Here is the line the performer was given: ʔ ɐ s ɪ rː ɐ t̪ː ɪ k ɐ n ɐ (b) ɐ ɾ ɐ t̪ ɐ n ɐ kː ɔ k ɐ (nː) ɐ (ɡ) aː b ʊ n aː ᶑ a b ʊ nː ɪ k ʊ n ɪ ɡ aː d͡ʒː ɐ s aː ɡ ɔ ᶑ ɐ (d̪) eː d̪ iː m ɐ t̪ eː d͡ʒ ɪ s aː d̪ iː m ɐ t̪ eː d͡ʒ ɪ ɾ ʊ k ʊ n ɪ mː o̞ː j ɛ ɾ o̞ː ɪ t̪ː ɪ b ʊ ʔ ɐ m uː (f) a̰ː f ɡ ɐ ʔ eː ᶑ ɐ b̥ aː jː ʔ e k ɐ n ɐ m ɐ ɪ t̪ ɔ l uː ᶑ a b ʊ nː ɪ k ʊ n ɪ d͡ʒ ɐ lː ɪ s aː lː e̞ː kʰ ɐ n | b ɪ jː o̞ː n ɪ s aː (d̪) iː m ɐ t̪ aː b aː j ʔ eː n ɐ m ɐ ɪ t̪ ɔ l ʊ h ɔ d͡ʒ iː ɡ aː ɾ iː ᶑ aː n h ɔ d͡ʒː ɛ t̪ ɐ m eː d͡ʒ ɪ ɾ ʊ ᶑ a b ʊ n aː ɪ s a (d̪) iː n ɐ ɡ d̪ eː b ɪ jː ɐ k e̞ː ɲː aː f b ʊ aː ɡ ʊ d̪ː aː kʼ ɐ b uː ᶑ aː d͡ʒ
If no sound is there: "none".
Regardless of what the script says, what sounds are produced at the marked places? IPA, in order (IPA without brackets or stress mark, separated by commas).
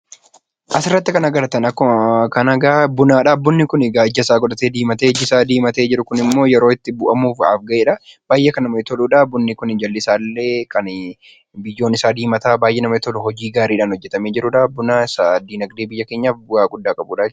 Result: ɡ, n, ɡ, t̪, f, d̪, d̪